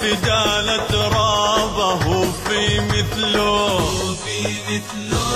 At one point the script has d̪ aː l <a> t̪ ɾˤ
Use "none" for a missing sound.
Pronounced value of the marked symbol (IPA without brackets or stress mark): a